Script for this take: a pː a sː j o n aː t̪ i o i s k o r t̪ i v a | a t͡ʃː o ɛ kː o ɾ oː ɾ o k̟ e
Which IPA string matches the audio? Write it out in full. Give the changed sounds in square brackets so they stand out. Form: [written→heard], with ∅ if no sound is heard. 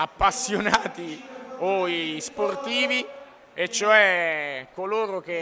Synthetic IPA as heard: a pː a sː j o n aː t̪ i o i s [k→p] o r t̪ [i→iː] v [a→i] | [a→e] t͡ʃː o ɛ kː o [ɾ→l] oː ɾ o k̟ e

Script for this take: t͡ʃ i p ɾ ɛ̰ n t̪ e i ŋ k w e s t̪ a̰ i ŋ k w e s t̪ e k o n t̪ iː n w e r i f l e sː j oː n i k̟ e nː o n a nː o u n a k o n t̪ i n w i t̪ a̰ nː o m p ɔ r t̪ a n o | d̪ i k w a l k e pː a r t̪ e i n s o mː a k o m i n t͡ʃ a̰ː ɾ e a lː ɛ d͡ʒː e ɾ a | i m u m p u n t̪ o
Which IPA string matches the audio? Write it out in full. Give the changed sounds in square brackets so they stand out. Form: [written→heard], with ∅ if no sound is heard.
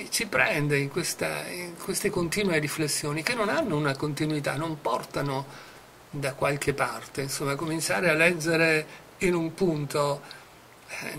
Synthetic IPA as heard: t͡ʃ i p ɾ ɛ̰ n [t̪→d̪] e i ŋ k w e s t̪ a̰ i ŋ k w e s t̪ e k o n t̪ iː n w e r i f l e sː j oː n i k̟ e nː o n a nː o u n a k o n t̪ i n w i t̪ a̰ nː o m p ɔ r t̪ a n o | d̪ [i→a] k w a l k e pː a r t̪ e i n s o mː a k o m i n t͡ʃ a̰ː ɾ e a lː ɛ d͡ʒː e ɾ [a→e] | i [m→n] u m p u n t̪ o

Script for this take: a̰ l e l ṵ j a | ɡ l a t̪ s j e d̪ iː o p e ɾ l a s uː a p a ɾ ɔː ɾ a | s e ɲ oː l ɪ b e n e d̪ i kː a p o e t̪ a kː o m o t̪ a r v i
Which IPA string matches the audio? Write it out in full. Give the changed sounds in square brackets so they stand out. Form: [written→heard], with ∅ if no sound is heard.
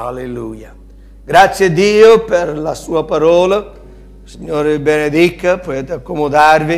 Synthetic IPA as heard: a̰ l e l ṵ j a | ɡ [l→ɾ] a t̪ s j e d̪ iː o p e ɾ l a s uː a p a ɾ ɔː [ɾ→l] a | s [e→i] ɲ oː [l→ɾ] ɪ b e n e d̪ i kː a p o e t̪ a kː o m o [t̪→d̪] a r v i

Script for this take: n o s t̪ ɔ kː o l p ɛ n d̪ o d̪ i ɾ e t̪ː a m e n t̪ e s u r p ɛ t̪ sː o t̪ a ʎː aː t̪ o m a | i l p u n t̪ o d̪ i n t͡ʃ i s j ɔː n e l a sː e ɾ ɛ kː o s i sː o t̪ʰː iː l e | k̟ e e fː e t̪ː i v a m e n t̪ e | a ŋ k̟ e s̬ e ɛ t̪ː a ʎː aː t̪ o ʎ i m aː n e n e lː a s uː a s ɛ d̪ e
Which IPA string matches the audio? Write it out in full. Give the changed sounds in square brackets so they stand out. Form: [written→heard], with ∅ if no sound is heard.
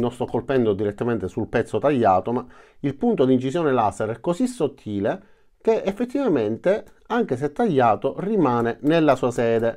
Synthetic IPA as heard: n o s t̪ ɔ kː o l p ɛ n d̪ o d̪ i ɾ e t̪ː a m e n t̪ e s u [r→l] p ɛ t̪ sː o t̪ a ʎː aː t̪ o m a | i l p u n t̪ o d̪ i n t͡ʃ i s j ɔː n e l a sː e ɾ ɛ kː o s i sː o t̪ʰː iː l e | k̟ e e fː e t̪ː i v a m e n t̪ e | a ŋ k̟ e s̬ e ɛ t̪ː a ʎː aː t̪ o [ʎ→r] i m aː n e n e lː a s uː a s [ɛ→ɛː] d̪ e

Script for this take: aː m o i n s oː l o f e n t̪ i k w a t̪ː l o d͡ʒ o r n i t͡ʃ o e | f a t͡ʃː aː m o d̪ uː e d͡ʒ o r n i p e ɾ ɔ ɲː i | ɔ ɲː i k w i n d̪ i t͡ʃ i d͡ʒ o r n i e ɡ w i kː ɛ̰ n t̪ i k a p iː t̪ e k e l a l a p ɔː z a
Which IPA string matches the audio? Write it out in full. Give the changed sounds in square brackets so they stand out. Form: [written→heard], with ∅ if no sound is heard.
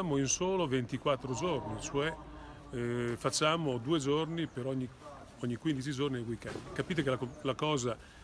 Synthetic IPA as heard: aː m o i n s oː l o [f→v] e n t̪ i k w a t̪ː [l→ɾ] o d͡ʒ o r n i t͡ʃ o [e→ɛ] | f a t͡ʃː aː m o d̪ uː e d͡ʒ o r n i p e ɾ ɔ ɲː i | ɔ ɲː i k w i n d̪ i t͡ʃ i d͡ʒ o r n i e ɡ w i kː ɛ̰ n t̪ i k a p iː t̪ e k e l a l a [p→k] ɔː z a

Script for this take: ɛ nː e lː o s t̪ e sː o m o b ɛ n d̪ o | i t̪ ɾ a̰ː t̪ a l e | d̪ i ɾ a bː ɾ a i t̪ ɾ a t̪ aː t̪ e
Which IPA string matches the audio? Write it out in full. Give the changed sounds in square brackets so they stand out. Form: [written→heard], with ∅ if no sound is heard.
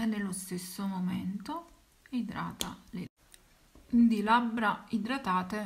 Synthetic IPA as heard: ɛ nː e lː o s t̪ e sː o m o [b→m] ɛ n [d̪→t̪] o | i [t̪→d̪] ɾ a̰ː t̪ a l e | d̪ i [ɾ→l] a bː ɾ a i [t̪→d̪] ɾ a t̪ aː t̪ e

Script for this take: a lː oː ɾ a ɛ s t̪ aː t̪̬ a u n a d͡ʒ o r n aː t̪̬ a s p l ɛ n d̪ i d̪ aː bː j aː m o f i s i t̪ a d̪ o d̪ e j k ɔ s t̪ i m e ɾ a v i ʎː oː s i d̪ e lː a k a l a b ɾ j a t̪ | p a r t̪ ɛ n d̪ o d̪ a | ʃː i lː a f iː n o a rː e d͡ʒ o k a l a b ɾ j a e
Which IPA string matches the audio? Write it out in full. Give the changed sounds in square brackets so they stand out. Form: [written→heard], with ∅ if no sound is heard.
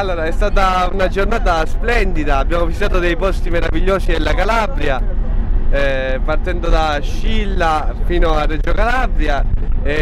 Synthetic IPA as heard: a lː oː ɾ a ɛ s t̪ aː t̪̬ a u n a d͡ʒ o r n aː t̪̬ a s p l ɛ n d̪ i d̪ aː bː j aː m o [f→v] i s i t̪ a [d̪→t̪] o d̪ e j [k→p] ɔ s t̪ i m e ɾ a v i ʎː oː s i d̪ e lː a k a l a b ɾ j a [t̪→∅] | p a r t̪ ɛ n d̪ o d̪ a | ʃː i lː a f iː n o a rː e d͡ʒ o k a l a b ɾ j a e

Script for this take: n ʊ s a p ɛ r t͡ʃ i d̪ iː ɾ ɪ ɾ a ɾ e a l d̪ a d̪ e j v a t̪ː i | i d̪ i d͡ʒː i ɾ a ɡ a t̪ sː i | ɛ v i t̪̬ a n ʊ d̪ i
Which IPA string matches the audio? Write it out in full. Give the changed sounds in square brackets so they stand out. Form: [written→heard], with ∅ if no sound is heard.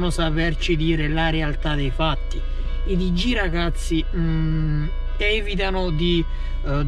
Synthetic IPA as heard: n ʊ s a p ɛ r t͡ʃ i d̪ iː ɾ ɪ [ɾ→l] a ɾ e a l [d̪→t̪] a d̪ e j [v→f] a t̪ː i | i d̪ i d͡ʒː i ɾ a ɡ a t̪ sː i | ɛ v i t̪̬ a n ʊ d̪ i

